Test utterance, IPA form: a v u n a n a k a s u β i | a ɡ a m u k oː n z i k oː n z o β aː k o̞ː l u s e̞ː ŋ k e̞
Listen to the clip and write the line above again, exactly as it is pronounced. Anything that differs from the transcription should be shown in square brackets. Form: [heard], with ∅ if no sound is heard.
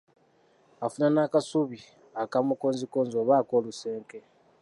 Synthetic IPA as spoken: a [f] u n a n a k a s u β i | a [k] a m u k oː n z i k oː n z o β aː k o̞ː l u s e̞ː ŋ k e̞